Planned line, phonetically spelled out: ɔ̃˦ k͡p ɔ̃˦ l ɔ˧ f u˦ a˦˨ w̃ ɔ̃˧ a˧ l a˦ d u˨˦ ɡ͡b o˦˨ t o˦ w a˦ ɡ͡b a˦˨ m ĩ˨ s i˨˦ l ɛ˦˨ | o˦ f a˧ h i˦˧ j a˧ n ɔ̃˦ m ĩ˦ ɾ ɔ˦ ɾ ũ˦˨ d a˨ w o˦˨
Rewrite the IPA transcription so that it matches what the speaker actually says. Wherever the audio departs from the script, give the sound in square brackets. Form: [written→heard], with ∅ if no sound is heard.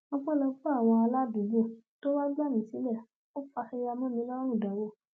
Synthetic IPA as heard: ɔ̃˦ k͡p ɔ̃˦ l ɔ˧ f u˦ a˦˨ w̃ ɔ̃˧ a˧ l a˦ d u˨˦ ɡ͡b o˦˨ t o˦ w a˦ ɡ͡b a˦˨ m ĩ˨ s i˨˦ l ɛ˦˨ | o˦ f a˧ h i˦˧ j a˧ [n→m] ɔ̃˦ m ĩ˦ [ɾ→l] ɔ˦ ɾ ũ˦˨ d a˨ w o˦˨